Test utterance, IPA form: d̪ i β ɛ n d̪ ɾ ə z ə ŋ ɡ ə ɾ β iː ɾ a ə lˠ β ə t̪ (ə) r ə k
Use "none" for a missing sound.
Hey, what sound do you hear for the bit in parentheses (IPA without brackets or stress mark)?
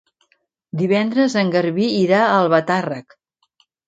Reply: a